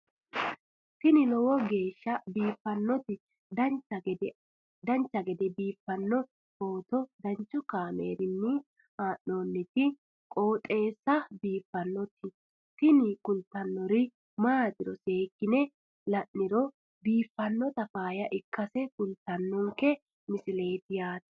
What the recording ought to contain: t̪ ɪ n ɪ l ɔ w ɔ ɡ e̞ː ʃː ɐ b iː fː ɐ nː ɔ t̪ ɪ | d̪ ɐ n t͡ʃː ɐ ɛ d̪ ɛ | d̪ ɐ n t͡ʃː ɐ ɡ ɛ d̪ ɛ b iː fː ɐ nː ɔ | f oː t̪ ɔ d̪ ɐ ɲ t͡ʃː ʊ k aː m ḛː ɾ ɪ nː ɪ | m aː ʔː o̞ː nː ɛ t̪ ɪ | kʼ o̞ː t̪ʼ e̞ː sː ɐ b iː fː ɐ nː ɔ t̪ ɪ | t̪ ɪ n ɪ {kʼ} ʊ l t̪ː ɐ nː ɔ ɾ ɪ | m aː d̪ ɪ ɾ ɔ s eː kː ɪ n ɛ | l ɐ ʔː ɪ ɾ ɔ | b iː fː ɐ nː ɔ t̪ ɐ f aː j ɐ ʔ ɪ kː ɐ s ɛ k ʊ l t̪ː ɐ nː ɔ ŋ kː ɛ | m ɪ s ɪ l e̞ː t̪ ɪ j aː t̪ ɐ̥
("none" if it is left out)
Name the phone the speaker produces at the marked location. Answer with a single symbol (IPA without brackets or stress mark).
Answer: k